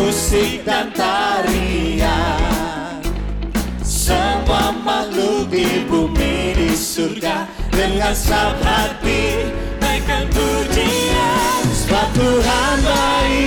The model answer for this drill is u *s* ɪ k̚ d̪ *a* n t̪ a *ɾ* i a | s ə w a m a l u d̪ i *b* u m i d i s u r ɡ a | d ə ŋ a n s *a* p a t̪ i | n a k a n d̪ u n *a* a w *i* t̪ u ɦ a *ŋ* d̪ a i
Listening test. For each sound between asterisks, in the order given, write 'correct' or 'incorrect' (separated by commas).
correct, correct, correct, correct, correct, incorrect, incorrect, incorrect